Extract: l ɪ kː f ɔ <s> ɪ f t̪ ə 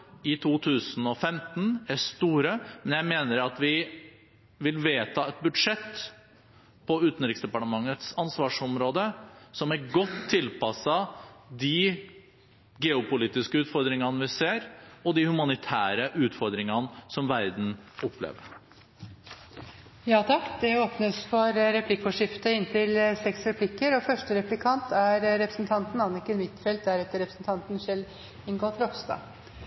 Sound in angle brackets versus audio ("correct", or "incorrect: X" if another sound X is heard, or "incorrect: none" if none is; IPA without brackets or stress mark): incorrect: ʂ